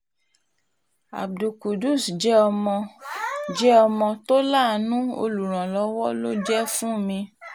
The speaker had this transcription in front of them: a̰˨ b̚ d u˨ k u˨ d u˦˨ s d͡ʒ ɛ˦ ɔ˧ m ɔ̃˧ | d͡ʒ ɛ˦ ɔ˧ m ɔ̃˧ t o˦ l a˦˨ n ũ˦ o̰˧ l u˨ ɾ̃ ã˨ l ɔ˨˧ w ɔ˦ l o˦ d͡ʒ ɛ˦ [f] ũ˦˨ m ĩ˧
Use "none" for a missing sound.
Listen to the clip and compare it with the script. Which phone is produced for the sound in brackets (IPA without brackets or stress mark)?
f